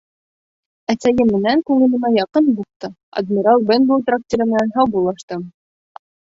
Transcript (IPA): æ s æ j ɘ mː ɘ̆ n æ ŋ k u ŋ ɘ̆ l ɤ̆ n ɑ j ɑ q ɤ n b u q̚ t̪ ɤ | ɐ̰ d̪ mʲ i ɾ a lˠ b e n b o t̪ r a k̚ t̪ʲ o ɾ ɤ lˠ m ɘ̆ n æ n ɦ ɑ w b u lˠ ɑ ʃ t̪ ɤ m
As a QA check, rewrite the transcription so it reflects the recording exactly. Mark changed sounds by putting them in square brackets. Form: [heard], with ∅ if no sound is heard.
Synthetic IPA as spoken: æ s æ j ɘ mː ɘ̆ n æ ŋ k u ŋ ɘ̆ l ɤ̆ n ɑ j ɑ q ɤ n b u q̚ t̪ ɤ | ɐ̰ d̪ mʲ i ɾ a lˠ b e n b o t̪ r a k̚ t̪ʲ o ɾ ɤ [∅] m ɘ̆ n æ n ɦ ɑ w b u lˠ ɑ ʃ t̪ ɤ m